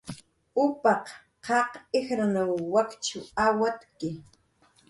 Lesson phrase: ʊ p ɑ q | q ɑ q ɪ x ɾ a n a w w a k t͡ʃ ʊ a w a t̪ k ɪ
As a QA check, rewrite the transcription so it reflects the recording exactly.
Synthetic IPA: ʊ p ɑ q | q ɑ q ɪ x ɾ a n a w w a k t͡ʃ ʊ a w a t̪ k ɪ